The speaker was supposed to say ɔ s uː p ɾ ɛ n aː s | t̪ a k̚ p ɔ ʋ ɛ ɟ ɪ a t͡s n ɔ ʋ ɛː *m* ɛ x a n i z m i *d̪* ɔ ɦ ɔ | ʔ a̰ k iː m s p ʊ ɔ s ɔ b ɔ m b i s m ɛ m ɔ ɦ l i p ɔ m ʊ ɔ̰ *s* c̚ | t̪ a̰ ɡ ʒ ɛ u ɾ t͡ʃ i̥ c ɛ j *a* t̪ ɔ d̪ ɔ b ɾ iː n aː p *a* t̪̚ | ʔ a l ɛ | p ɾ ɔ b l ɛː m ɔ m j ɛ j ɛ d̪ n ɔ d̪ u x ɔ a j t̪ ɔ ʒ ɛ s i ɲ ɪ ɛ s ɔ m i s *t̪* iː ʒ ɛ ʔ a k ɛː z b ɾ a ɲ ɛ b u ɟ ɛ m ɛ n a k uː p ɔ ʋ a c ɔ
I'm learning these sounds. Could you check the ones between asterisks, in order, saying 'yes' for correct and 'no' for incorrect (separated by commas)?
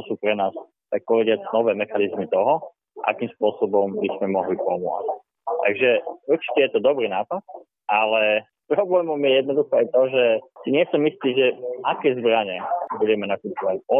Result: yes, no, no, no, yes, yes